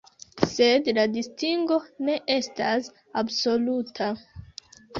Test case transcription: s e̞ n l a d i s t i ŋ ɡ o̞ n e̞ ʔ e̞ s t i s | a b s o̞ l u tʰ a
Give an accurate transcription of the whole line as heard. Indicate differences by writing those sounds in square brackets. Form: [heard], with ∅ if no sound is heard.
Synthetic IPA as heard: s e̞ [d] l a d i s t i ŋ ɡ o̞ n e̞ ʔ e̞ s t [a] s | a b s o̞ l u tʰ a